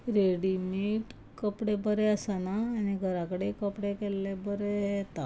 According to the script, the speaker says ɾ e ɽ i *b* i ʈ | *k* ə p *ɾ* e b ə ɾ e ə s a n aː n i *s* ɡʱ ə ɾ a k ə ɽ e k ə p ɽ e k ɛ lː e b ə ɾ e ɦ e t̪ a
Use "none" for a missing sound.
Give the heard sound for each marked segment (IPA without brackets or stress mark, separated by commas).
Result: m, k, ɽ, none